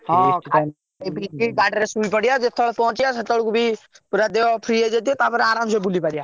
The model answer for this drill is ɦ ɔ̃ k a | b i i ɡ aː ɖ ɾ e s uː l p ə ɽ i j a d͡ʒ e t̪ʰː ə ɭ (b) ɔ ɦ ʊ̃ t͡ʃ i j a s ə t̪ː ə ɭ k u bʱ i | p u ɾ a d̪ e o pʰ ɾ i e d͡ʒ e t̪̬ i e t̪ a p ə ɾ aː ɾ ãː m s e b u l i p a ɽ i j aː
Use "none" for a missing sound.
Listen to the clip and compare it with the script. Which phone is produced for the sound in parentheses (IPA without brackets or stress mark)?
p